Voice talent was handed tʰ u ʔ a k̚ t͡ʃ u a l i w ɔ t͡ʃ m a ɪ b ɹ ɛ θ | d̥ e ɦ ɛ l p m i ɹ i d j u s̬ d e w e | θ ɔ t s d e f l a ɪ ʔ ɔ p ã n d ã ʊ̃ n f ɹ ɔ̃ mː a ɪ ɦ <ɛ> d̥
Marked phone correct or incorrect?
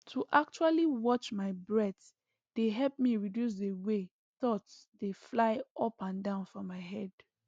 correct